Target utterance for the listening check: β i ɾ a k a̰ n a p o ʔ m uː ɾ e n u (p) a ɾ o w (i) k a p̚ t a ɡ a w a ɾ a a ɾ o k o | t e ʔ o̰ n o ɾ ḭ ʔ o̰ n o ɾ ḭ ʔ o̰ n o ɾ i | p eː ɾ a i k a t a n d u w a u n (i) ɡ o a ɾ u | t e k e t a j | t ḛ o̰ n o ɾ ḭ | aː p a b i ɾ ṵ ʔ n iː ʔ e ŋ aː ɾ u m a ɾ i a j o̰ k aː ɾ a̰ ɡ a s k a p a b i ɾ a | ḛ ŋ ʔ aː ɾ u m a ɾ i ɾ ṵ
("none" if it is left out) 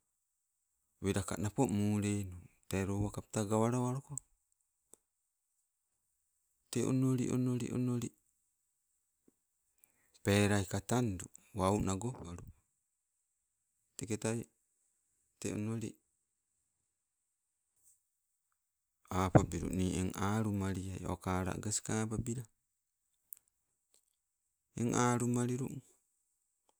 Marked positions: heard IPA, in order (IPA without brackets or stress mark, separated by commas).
t, a, a